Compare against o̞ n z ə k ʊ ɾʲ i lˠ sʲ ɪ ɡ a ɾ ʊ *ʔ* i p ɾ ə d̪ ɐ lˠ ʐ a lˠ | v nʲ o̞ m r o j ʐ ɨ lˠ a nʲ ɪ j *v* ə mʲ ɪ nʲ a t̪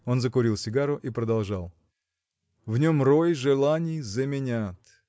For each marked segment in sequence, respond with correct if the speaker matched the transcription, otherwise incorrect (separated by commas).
correct, incorrect